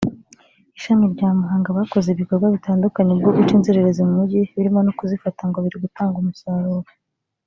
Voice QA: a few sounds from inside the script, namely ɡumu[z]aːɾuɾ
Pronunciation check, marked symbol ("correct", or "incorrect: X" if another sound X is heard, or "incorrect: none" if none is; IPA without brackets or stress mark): incorrect: s